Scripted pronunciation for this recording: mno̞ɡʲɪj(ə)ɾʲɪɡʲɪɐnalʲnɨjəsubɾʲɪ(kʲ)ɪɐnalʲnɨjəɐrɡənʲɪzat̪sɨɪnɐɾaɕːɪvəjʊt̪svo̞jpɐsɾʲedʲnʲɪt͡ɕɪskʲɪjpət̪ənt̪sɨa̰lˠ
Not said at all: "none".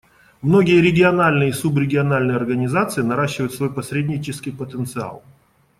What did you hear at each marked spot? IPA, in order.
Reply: ə, ɡʲ

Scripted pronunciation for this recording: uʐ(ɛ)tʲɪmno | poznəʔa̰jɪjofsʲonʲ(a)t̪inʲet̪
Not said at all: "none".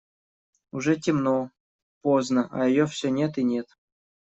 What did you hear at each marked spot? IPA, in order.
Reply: ɛ, e

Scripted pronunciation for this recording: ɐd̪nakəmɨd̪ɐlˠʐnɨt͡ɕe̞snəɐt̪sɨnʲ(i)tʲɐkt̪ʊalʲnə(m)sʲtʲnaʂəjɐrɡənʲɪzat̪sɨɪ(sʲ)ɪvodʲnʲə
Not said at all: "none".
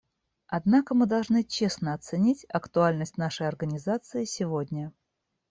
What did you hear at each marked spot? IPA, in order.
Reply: i, none, sʲ

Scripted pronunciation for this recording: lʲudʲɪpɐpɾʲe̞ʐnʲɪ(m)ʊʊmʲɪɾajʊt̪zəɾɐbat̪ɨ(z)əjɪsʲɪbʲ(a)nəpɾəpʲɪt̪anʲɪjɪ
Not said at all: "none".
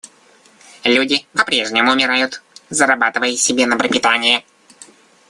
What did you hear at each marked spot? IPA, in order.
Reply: m, v, e

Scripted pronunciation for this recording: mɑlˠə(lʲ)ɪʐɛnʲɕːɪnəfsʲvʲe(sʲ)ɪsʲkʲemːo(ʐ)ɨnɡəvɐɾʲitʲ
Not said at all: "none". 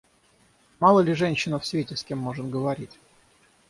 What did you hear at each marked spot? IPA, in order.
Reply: lʲ, tʲ, ʐ

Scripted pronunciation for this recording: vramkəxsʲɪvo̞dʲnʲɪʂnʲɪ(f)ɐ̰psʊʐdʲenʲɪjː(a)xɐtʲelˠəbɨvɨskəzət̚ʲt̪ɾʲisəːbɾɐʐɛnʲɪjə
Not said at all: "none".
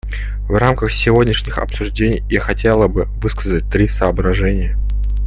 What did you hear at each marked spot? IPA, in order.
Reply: x, a

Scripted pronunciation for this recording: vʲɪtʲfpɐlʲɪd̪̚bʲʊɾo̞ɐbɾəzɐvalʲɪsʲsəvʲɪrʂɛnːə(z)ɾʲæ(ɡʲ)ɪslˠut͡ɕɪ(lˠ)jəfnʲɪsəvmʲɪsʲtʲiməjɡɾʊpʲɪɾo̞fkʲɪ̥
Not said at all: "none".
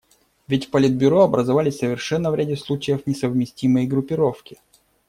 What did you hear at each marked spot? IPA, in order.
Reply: v, dʲ, none

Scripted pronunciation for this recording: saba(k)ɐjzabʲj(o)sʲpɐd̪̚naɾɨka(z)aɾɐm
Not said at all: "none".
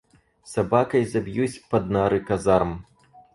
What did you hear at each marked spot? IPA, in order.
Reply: k, u, z

